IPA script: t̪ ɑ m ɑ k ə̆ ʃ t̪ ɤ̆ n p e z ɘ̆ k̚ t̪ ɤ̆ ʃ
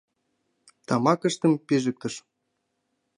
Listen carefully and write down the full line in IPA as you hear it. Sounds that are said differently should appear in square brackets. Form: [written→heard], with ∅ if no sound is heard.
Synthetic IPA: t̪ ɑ m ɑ k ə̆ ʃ t̪ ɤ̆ [n→m] p e [z→ʒ] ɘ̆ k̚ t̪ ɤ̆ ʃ